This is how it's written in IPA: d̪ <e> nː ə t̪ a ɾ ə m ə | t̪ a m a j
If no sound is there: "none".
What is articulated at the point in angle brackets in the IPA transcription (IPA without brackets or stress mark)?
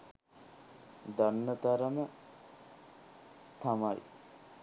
a